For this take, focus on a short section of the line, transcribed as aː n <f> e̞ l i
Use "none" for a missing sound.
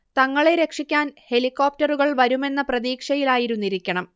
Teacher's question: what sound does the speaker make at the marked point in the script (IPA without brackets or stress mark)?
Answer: h